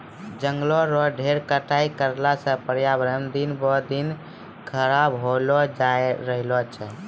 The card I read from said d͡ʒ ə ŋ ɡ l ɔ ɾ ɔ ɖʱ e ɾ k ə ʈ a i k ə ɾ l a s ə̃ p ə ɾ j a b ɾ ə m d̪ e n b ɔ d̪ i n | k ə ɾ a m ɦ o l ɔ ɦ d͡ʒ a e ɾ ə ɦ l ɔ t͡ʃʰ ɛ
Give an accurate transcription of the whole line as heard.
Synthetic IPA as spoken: d͡ʒ ə ŋ ɡ l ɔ ɾ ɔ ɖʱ e ɾ k ə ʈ a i k ə ɾ l a s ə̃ p ə ɾ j a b ɾ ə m d̪ i n b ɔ d̪ i n | kʰ ə ɾ a b ɦ o l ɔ d͡ʒ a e ɾ ə ɦ l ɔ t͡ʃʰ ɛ